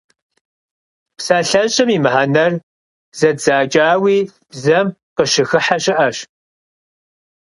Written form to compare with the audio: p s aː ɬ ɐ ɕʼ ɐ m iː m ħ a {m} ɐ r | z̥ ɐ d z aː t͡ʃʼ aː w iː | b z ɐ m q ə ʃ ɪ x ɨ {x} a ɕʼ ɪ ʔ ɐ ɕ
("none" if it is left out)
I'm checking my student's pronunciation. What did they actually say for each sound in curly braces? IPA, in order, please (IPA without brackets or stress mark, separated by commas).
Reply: n, ħ